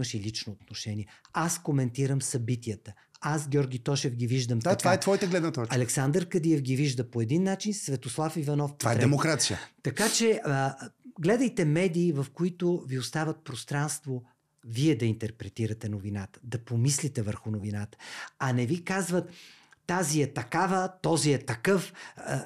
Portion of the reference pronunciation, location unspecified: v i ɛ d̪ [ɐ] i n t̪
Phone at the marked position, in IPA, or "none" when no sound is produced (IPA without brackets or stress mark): ɐ